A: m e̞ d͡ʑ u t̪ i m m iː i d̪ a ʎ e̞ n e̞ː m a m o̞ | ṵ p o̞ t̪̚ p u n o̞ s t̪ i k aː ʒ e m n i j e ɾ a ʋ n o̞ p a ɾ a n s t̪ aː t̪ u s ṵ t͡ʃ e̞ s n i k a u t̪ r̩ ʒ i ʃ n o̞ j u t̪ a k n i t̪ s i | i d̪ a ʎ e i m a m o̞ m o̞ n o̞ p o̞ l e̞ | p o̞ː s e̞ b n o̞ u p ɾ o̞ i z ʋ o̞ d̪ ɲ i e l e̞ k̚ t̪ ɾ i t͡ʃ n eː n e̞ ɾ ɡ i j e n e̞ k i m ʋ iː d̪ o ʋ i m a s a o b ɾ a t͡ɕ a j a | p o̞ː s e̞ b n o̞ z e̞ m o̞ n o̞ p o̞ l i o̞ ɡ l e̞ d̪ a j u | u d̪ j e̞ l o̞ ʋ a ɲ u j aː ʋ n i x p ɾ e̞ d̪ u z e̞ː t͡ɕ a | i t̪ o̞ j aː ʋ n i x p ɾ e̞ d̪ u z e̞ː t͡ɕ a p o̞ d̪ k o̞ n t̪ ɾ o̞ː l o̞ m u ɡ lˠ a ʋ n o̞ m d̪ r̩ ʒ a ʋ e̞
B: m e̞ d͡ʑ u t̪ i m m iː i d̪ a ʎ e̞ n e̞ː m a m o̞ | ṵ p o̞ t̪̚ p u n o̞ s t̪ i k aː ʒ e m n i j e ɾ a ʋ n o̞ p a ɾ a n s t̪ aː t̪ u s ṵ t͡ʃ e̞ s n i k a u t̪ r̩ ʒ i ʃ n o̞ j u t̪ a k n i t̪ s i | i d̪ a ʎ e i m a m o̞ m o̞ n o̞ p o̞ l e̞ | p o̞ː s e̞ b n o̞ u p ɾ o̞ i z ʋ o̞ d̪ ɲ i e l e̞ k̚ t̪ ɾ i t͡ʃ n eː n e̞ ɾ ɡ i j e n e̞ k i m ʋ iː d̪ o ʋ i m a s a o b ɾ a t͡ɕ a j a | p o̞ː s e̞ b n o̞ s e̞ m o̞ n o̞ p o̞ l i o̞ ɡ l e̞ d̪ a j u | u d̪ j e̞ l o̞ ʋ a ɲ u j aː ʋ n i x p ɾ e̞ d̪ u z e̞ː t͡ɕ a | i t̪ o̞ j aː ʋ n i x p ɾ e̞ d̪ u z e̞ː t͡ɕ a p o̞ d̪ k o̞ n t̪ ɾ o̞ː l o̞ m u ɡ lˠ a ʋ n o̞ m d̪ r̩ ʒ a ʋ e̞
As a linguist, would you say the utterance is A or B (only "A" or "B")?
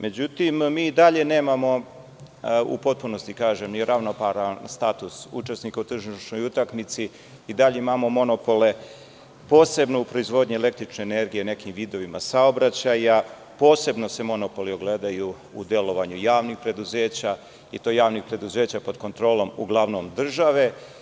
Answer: B